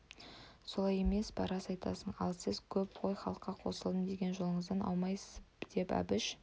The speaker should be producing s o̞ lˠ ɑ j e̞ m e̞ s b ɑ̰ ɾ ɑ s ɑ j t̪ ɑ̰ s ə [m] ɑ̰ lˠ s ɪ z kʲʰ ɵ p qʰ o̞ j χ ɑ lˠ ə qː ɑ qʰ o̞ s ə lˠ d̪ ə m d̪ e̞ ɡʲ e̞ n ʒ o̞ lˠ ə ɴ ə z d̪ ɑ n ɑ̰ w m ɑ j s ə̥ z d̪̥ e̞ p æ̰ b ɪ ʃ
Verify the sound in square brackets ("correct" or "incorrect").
incorrect